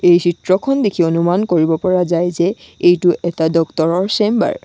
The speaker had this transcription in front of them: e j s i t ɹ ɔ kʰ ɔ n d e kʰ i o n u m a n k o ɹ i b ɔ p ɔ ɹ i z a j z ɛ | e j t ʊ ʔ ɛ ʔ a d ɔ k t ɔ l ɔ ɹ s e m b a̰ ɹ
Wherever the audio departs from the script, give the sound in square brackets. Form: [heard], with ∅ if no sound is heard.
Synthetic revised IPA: e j s i t ɹ ɔ kʰ ɔ n d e kʰ i o n u m a n k o ɹ i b ɔ p ɔ ɹ [a] z a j z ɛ | e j t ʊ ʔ ɛ [t] a d ɔ k t ɔ [ɹ] ɔ ɹ s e m b a̰ ɹ